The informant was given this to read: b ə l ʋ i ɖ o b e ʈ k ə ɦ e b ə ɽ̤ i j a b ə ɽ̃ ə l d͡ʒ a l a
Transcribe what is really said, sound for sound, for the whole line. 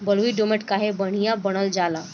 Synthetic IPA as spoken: b ə l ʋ i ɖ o m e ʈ k a ɦ e b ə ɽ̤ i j a b ə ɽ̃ ə l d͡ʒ a l a

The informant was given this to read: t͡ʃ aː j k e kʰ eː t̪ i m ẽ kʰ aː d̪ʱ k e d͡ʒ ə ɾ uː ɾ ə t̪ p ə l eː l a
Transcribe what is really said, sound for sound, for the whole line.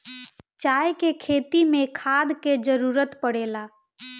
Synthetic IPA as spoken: t͡ʃ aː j k e kʰ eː t̪ i m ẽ kʰ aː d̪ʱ k e d͡ʒ ə ɾ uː ɾ ə t̪ p ə ɽ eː l a

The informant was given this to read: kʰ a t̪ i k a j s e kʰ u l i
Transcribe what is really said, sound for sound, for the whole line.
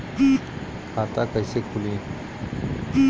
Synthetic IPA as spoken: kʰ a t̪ a k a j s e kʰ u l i

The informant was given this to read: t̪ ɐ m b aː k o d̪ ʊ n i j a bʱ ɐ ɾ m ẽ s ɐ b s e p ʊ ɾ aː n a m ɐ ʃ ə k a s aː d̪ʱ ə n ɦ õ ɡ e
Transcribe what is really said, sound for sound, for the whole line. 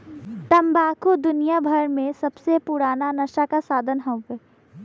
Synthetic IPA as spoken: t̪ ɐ m b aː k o d̪ ʊ n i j a bʱ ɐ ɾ m ẽ s ɐ b s e p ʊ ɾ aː n a n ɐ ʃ a k a s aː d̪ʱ ə n ɦ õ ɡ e

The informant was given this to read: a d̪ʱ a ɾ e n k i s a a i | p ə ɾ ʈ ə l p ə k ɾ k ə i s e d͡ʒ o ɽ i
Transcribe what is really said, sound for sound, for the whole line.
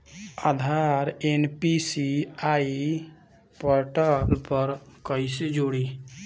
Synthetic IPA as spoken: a d̪ʱ a ɾ e n p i s i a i | p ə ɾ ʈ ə l p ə ɾ k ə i s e d͡ʒ o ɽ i

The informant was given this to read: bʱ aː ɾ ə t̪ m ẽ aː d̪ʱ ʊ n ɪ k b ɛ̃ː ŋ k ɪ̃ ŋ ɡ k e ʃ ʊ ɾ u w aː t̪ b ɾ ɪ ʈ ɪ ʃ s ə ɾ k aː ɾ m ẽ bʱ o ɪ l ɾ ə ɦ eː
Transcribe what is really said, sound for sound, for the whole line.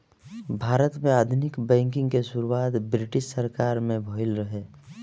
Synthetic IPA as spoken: bʱ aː ɾ ə t̪ m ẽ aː d̪ʱ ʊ n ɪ k b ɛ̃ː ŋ k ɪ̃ ŋ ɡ k e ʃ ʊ ɾ u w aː t̪ b ɾ ɪ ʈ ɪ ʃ s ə ɾ k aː ɾ m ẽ bʱ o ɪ l ɾ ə ɦ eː

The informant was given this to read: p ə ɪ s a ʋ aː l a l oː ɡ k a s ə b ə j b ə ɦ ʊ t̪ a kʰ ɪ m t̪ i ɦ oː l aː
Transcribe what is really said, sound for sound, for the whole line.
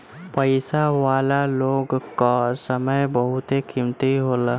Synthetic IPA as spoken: p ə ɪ s a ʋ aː l a l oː ɡ k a s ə m ə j b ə ɦ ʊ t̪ e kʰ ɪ m t̪ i ɦ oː l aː

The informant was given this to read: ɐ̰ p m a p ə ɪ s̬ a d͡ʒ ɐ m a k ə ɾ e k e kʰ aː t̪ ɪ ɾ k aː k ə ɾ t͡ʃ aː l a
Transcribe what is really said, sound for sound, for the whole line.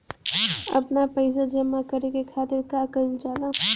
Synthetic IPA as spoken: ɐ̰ p n a p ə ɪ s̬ a d͡ʒ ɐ m a k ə ɾ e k e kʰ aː t̪ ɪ ɾ k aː k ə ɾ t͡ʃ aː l a

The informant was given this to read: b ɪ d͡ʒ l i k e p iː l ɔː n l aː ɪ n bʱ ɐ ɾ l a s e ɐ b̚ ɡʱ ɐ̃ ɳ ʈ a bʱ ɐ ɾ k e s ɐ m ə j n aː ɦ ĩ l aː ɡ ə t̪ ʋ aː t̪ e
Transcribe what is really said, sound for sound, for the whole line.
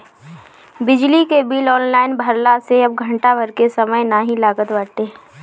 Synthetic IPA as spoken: b ɪ d͡ʒ l i k e b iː l ɔː n l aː ɪ n bʱ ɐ ɾ l a s e ɐ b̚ ɡʱ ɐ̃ ɳ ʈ a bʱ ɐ ɾ k e s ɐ m ə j n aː ɦ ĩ l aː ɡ ə t̪ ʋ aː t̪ e

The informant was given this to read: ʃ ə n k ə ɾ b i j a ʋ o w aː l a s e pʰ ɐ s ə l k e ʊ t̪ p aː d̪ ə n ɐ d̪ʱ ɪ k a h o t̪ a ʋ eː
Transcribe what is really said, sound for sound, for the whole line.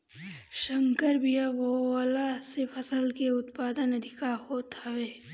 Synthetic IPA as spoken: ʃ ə ŋ k ə ɾ b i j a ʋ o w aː l a s e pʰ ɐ s ə l k e ʊ t̪ p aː d̪ ə n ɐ d̪ʱ ɪ k a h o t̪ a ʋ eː

